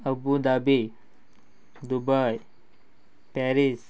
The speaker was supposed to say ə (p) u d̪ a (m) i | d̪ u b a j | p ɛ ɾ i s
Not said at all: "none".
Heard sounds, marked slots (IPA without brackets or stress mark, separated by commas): b, b